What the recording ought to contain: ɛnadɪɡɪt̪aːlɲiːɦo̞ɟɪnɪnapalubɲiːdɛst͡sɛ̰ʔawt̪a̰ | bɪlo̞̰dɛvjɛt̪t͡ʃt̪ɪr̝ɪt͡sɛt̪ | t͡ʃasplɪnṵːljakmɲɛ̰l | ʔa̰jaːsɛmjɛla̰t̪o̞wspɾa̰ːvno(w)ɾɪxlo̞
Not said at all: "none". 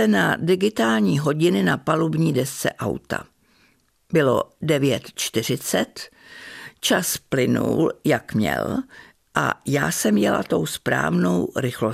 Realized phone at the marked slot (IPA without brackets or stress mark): w